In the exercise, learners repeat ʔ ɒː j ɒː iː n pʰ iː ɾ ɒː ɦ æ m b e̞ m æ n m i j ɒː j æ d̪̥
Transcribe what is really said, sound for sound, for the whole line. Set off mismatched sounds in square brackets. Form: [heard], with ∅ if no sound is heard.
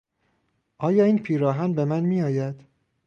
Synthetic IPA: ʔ ɒː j ɒː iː n pʰ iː ɾ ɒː ɦ æ [n] b e̞ m æ n m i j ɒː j æ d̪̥